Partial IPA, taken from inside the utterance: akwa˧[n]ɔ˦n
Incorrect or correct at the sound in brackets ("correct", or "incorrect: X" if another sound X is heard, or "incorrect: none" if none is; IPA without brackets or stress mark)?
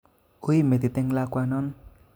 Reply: correct